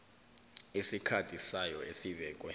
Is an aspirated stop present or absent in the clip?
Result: present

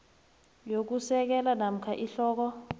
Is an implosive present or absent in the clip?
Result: absent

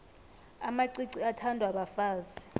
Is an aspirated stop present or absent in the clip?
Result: present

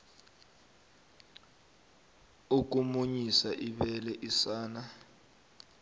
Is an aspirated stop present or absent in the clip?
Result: absent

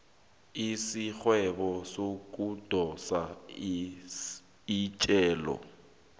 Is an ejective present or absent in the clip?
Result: present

